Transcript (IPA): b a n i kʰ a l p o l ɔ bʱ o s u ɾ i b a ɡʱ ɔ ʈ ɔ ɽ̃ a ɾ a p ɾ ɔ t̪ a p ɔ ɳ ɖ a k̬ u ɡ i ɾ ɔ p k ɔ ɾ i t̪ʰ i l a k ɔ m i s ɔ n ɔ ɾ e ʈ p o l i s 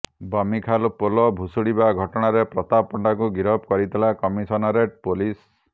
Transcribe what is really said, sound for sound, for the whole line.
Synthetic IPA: b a m i kʰ a l p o l ɔ bʱ u s u ɽ i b a ɡʱ ɔ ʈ ɔ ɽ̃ a ɾ e p ɾ ɔ t̪ a p ɔ ɳ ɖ a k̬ u ɡ i ɾ ɔ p k ɔ ɾ i t̪ʰ i l a k ɔ m i s ɔ n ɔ ɾ e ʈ p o l i s